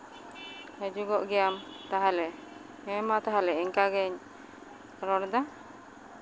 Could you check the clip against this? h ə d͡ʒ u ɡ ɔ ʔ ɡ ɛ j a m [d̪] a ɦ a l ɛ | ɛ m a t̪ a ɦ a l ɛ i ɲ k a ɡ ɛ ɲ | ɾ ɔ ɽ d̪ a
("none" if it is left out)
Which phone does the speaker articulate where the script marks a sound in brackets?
t̪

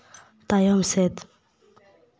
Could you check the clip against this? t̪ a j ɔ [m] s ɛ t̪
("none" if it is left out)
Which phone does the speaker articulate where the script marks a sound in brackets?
m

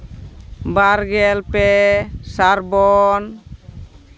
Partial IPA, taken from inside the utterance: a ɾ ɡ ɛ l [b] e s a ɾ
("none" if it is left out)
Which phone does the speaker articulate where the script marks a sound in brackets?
p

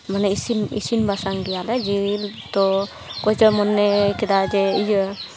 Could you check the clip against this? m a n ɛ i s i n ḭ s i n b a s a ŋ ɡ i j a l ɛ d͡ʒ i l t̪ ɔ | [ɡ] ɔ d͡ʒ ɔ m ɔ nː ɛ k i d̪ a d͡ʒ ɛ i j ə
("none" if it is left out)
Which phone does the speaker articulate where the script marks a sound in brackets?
k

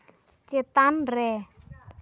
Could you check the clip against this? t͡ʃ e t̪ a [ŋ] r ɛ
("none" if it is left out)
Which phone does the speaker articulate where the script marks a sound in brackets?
n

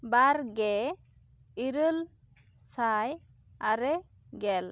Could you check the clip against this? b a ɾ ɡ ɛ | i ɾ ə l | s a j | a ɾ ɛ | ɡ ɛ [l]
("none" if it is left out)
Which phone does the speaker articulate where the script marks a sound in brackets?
l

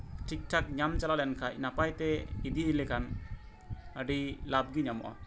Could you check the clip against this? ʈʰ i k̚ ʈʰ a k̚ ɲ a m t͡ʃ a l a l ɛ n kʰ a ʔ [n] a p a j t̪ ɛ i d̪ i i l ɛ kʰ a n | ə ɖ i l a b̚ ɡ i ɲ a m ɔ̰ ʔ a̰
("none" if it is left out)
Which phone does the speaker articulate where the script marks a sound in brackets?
n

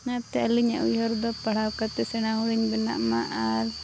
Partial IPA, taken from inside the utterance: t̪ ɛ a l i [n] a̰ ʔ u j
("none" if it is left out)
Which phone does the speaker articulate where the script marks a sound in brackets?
ɲ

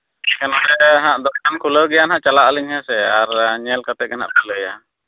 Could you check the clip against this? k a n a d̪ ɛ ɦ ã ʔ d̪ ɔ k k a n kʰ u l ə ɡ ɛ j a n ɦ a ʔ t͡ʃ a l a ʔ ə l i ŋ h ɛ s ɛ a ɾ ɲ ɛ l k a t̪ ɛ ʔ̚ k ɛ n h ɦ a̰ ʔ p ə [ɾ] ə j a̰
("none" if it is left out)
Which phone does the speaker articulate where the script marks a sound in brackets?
l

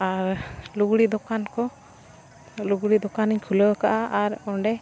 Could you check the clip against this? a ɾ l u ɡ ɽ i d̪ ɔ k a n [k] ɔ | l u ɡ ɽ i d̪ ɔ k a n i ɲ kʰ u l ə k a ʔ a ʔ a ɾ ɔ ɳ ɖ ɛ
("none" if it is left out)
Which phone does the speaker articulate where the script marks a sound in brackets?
k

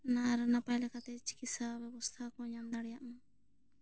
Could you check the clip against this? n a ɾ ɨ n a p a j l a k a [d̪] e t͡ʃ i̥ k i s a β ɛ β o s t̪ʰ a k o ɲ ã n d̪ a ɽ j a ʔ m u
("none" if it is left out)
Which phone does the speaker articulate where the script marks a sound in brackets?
t̪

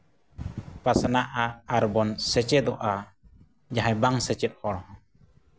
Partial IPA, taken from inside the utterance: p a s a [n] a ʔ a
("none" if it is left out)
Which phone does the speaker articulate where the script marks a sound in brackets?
n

